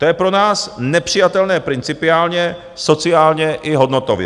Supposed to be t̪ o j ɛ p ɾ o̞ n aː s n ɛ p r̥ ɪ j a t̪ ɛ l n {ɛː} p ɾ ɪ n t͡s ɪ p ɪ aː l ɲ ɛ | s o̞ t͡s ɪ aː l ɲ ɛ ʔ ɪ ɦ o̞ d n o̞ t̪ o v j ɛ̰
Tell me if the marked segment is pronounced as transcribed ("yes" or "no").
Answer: yes